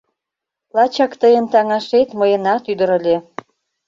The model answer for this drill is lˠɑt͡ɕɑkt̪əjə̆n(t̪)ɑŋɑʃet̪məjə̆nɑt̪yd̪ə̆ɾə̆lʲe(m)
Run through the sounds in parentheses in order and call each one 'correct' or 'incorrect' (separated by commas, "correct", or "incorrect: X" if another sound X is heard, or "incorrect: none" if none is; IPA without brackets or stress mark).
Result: correct, incorrect: none